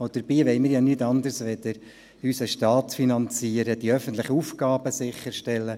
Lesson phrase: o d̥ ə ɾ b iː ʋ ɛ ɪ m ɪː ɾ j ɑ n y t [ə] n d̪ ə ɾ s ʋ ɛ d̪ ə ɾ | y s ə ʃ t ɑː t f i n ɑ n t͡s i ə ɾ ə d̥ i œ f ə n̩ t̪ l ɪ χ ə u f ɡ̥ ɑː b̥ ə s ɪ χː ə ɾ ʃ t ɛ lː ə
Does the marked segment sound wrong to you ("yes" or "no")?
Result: yes